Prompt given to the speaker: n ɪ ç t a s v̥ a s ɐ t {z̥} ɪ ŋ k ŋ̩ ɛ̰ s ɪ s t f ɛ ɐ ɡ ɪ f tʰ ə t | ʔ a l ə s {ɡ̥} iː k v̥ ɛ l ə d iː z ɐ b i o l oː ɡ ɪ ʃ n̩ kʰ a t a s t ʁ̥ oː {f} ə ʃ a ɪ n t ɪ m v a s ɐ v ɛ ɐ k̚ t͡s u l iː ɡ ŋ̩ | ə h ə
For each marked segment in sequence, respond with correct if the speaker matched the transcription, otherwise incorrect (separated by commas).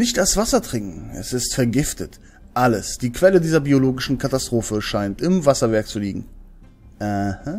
incorrect, incorrect, correct